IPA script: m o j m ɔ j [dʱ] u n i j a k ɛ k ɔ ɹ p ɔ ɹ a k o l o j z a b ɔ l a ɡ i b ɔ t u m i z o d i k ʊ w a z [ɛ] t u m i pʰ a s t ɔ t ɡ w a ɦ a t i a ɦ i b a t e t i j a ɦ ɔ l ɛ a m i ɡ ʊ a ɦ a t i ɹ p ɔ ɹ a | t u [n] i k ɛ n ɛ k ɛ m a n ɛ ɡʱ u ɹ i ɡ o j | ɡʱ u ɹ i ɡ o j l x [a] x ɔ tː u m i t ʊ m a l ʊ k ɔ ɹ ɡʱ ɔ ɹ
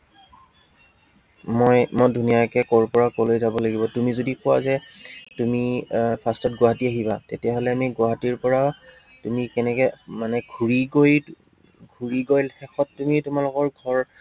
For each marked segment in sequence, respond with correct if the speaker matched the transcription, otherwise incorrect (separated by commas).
correct, correct, incorrect, incorrect